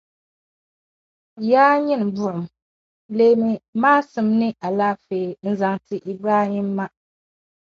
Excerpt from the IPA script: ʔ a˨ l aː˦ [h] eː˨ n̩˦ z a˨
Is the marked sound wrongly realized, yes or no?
yes